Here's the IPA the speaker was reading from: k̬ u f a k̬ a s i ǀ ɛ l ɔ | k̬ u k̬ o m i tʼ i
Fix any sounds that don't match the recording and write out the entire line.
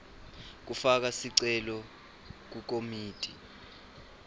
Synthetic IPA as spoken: k̬ u f a k̬ a s i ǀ ɛ l ɔ | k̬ u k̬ o m iː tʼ i

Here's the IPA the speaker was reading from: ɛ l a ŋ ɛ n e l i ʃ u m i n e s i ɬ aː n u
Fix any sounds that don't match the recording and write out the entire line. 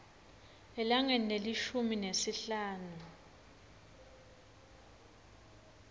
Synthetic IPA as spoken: ɛ l a ŋ ɛ n e l i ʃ u m i n e s i ɬ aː n u

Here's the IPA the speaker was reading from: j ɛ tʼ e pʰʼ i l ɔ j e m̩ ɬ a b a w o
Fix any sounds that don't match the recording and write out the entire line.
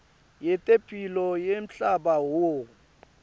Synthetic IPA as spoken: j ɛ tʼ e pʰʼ i l ɔ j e m̩ ɬ a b a w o

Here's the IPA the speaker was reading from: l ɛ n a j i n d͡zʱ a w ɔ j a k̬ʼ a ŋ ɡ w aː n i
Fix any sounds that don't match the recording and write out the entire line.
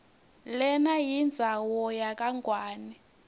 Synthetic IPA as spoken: l ɛ n a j i n d͡zʱ a w ɔ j a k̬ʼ a ŋ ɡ w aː n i

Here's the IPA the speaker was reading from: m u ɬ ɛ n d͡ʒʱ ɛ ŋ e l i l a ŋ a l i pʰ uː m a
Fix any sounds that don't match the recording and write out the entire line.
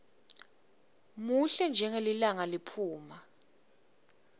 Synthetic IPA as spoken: m u ɬ ɛ n d͡ʒʱ ɛ ŋ e l i l a ŋ a l i pʰ uː m a

